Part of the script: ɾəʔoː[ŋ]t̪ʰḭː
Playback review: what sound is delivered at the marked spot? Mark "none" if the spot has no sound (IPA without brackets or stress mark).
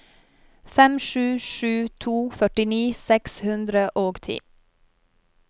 ɡ